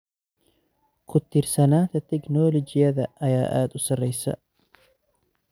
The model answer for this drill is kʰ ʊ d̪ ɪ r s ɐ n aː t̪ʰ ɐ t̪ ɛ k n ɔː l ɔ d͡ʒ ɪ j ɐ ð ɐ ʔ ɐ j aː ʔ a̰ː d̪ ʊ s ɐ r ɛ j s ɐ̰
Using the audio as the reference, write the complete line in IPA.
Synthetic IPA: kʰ ʊ t̪ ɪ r s ɐ n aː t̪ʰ ɐ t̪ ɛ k n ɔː l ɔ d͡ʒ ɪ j ɐ ð ɐ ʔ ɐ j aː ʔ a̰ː d̪ ʊ s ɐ r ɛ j s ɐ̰